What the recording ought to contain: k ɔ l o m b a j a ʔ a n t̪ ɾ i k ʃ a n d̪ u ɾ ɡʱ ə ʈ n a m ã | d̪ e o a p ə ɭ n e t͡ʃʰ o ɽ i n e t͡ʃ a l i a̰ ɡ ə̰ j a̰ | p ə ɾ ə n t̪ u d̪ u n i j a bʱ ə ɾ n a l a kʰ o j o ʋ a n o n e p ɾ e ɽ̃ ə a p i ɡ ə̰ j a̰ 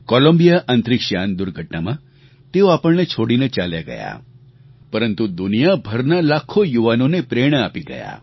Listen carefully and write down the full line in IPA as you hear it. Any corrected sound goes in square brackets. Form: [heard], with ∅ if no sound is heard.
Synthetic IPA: k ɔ l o m b [i] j a ʔ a n t̪ ɾ i k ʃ a n d̪ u ɾ ɡʱ ə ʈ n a m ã | [t̪] e o a p ə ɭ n e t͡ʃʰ o ɽ i n e t͡ʃ a l [j] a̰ ɡ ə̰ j a̰ | p ə ɾ ə n t̪ u d̪ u n i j a bʱ ə ɾ n a l a kʰ o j [u] ʋ a n o n e p ɾ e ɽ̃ ə a p i ɡ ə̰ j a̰

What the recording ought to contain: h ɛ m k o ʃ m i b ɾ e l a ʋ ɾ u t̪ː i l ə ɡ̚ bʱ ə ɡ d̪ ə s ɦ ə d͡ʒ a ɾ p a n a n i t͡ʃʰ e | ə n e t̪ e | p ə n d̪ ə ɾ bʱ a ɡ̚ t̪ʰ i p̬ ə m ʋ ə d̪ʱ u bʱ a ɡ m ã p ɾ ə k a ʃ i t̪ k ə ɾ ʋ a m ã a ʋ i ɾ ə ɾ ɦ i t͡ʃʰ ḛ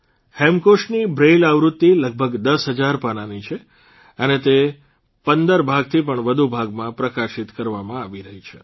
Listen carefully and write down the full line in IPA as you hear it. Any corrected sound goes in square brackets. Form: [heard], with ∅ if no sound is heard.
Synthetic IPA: h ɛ m k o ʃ [n] i b ɾ e l a ʋ ɾ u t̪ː i l ə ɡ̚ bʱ ə ɡ d̪ ə s ɦ ə d͡ʒ a ɾ p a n a n i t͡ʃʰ e | ə n e t̪ e | p ə n d̪ ə ɾ bʱ a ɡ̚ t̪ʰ i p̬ ə [ɳ] ʋ ə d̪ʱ u bʱ a ɡ m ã p ɾ ə k a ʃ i t̪ k ə ɾ ʋ a m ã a ʋ i ɾ ə [∅] ɦ i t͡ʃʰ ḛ

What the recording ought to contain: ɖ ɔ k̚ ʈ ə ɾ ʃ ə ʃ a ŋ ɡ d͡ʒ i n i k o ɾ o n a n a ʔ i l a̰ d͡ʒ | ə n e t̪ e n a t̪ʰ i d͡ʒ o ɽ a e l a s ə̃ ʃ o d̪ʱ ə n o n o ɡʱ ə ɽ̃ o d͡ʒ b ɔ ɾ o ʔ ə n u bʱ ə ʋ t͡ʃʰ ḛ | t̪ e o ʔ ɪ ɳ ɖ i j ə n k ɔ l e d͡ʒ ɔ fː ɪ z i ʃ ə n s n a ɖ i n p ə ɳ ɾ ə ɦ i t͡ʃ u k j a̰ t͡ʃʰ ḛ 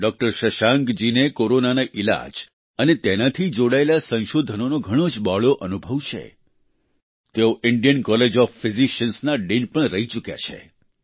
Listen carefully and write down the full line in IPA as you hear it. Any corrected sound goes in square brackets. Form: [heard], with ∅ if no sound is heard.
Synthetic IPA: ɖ ɔ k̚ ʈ ə ɾ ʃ ə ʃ a ŋ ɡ d͡ʒ i n [e] k o ɾ o n a n a ʔ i l a̰ d͡ʒ | ə n e t̪ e n a t̪ʰ i d͡ʒ o ɽ a e l a s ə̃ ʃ o d̪ʱ ə n o n o ɡʱ ə ɽ̃ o d͡ʒ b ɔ [ɭ] o ʔ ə n u bʱ ə ʋ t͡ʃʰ ḛ | t̪ e o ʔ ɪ ɳ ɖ i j ə n k ɔ l e d͡ʒ ɔ fː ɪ z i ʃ ə n s n a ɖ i n p ə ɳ ɾ ə ɦ i t͡ʃ u k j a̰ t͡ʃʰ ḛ

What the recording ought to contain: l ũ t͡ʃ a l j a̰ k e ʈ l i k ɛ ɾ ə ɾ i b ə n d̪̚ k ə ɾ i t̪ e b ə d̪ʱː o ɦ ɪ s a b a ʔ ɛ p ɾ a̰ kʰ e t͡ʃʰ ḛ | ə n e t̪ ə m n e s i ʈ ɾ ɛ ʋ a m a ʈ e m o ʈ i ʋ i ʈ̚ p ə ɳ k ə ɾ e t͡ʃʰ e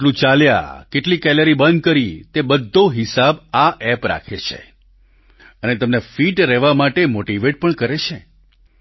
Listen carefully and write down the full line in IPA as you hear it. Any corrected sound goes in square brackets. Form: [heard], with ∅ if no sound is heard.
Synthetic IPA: l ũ t͡ʃ a l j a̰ k e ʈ l i k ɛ [l] ə ɾ i b ə n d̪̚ k ə ɾ i t̪ e b ə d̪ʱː o ɦ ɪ s a b a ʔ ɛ p ɾ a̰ kʰ e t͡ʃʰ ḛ | ə n e t̪ ə m n e [f] i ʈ ɾ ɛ ʋ a m a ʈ e m o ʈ i ʋ [e] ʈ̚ p ə ɳ k ə ɾ e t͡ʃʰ e

